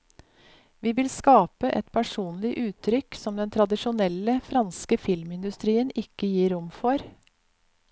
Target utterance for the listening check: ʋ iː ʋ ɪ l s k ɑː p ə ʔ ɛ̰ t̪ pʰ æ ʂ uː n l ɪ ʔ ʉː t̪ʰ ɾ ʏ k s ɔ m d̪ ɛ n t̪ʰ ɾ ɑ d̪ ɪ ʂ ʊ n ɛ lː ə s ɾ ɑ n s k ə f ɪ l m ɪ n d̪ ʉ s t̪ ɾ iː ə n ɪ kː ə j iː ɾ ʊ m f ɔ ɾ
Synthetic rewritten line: ʋ iː ʋ ɪ l s k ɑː p ə ʔ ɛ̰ t̪ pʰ æ ʂ uː n l ɪ ʔ ʉː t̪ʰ ɾ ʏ k s ɔ m d̪ ɛ n t̪ʰ ɾ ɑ d̪ ɪ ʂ ʊ n ɛ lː ə f ɾ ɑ n s k ə f ɪ l m ɪ n d̪ ʉ s t̪ ɾ iː ə n ɪ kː ə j iː ɾ ʊ m f ɔ ɾ